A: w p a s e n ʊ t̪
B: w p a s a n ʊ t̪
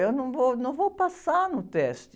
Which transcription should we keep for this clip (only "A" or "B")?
B